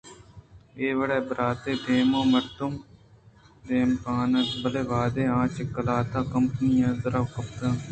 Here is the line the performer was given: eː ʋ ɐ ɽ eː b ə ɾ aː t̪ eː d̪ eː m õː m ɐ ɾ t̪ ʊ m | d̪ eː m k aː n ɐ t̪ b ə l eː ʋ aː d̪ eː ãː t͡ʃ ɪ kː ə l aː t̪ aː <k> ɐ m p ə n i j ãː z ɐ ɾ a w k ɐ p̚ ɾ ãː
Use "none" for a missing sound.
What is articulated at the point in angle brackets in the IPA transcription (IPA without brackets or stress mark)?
k